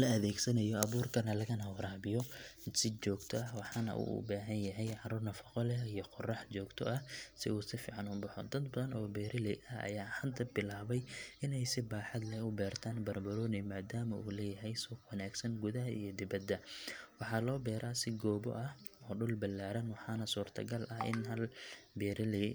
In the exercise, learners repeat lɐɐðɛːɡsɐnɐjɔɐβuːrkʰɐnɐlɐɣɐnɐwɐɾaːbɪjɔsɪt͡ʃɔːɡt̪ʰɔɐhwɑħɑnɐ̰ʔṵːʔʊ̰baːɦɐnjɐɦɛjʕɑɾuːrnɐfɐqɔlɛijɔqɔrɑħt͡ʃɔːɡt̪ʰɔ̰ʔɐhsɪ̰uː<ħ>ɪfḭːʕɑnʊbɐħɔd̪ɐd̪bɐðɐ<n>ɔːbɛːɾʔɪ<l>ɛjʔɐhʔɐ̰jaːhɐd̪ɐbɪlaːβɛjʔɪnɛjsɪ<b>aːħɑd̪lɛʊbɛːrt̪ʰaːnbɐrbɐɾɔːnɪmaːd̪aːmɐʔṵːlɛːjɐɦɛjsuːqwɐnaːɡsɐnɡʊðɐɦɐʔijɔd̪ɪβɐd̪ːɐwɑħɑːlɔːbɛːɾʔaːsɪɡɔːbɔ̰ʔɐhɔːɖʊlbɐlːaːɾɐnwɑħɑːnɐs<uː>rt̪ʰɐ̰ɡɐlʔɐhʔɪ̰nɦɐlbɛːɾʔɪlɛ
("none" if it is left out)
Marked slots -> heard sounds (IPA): s, n, l, b, uː

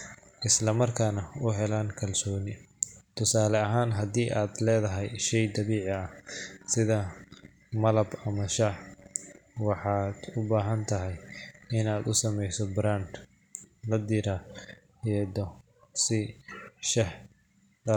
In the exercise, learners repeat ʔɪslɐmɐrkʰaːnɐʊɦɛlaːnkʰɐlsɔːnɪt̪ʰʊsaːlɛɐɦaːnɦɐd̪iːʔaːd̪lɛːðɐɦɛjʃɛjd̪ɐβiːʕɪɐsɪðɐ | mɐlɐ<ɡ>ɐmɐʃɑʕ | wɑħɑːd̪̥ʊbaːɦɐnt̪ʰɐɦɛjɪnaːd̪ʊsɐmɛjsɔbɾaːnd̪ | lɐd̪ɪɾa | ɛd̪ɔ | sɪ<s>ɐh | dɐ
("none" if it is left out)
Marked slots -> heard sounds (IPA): b, ʃ

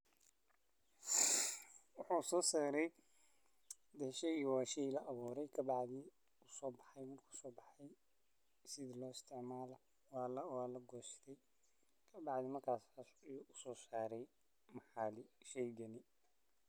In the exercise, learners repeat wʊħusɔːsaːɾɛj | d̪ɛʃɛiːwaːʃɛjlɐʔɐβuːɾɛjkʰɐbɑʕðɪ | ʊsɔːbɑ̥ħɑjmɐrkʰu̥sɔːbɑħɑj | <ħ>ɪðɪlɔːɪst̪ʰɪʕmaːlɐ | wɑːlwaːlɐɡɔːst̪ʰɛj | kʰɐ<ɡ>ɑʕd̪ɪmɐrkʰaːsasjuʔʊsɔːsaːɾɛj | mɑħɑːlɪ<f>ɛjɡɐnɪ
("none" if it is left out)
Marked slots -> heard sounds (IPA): s, b, ʃ

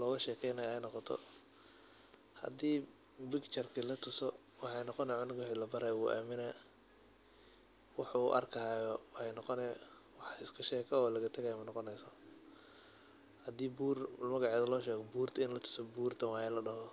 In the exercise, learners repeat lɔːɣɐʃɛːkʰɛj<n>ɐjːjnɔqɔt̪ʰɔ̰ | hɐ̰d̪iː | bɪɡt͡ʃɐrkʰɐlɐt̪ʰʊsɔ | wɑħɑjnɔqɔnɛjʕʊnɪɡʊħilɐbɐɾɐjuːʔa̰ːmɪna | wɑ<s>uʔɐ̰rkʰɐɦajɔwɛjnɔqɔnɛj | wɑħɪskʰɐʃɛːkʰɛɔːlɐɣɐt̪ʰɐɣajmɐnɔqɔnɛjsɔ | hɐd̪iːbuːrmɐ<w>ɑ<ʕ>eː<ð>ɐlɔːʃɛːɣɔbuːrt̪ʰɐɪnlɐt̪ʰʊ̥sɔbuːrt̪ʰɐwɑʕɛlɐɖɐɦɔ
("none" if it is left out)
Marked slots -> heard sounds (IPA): n, ħ, ɣ, ʕ, ð

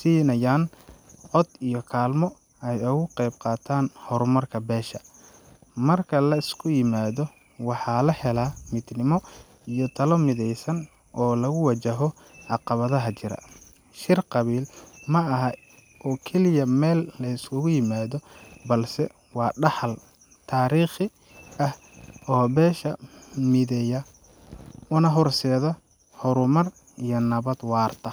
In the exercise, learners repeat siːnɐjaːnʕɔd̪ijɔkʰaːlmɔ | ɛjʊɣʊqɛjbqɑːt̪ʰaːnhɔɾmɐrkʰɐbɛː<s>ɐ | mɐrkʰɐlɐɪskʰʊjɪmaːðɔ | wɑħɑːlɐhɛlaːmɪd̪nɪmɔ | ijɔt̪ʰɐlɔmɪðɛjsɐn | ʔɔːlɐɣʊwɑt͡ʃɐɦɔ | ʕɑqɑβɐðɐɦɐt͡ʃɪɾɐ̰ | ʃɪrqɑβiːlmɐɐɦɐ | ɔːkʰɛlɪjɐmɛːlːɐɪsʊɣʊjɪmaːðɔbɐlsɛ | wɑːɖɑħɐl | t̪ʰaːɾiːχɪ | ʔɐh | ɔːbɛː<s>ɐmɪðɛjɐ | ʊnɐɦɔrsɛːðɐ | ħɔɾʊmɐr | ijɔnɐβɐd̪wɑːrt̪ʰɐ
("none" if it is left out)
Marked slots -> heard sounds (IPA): ʃ, ʃ

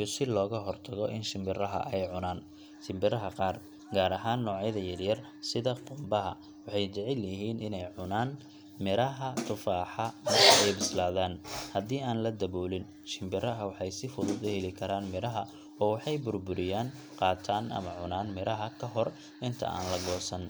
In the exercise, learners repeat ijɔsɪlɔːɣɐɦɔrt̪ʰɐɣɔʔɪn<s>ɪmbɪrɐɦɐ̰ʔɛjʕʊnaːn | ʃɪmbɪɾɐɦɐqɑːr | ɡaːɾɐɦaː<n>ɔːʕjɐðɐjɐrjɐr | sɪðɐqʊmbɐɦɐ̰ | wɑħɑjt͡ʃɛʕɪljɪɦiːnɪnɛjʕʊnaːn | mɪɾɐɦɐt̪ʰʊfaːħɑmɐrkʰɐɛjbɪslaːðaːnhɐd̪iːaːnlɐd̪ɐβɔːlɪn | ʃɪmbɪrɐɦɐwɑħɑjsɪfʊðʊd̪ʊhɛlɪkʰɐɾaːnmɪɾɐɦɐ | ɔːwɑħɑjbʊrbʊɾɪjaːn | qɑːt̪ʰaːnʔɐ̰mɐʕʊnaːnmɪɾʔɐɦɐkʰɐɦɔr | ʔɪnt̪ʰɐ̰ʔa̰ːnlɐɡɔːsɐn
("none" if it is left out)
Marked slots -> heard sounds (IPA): ʃ, nː

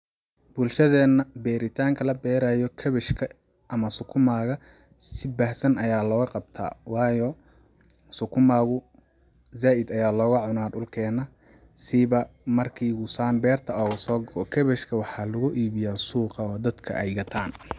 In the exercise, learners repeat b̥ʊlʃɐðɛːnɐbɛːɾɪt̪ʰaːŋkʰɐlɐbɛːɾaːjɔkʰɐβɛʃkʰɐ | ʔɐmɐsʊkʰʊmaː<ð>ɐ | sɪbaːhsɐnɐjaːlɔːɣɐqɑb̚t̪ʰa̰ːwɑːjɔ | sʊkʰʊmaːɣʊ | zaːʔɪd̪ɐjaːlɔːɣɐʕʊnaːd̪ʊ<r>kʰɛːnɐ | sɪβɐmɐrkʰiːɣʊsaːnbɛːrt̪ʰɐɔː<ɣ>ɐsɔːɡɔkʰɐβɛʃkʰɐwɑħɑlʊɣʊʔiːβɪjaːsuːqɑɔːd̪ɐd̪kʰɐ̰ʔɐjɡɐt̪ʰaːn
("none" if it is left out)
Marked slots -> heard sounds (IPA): ɣ, l, ɣ

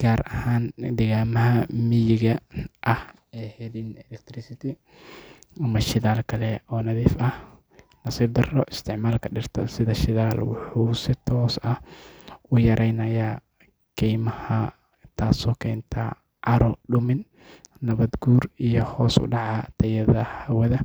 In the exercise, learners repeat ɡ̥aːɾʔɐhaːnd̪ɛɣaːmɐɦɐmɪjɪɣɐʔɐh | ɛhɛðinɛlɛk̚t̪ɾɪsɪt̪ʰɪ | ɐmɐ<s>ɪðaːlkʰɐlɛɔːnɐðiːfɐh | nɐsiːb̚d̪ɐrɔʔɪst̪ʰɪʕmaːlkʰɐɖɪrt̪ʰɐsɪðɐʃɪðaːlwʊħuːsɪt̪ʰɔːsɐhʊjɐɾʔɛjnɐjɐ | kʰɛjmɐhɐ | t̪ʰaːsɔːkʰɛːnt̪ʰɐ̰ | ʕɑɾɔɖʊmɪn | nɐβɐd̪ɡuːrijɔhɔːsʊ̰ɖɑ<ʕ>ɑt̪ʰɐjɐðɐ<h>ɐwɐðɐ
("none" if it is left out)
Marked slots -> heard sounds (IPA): ʃ, ʕ, h

